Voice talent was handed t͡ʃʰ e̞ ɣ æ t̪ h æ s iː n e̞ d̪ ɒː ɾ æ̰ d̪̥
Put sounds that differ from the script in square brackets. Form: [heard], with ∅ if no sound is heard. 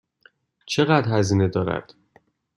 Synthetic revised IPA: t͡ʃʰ e̞ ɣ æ [d̪] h æ [z] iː n e̞ d̪ ɒː ɾ æ̰ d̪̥